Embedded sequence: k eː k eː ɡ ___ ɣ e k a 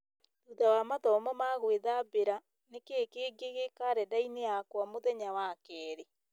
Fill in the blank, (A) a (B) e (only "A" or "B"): B